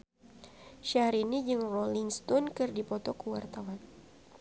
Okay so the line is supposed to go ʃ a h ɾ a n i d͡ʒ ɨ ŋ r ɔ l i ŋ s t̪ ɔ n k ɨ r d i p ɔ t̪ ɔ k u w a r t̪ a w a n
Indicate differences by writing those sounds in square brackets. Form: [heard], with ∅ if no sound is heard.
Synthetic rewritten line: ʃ a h ɾ [i] n i d͡ʒ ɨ ŋ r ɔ l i ŋ s t̪ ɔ n k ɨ r d i p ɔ t̪ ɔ k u w a r t̪ a w a n